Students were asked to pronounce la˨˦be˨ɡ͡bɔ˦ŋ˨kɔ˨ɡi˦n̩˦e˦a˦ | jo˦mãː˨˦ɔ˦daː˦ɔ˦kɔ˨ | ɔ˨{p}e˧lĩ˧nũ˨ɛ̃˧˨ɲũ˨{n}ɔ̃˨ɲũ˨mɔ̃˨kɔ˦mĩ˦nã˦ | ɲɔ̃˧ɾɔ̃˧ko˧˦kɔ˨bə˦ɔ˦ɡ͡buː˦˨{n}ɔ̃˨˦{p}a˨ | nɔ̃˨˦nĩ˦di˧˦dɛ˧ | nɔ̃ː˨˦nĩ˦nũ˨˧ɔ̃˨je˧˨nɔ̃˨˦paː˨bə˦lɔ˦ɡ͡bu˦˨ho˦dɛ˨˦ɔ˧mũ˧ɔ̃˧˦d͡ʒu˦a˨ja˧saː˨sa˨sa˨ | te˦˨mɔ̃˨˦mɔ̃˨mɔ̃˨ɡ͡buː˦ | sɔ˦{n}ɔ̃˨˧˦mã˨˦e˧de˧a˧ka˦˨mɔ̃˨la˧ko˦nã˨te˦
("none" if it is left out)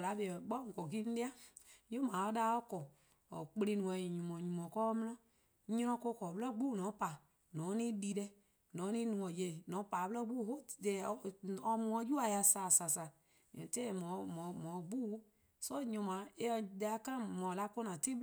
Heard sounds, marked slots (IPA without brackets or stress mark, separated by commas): k͡p, m, n, p, ɲ